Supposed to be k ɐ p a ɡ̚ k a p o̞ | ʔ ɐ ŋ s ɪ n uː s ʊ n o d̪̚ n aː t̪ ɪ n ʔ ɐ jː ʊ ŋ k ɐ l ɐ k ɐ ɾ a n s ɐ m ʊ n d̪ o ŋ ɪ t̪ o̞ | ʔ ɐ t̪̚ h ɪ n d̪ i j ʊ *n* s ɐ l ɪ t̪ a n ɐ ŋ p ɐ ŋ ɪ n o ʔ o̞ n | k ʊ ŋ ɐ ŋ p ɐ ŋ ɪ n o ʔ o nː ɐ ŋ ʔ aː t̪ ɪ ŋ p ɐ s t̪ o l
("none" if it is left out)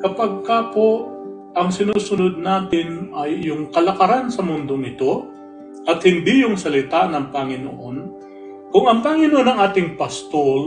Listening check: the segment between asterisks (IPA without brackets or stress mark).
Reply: ŋ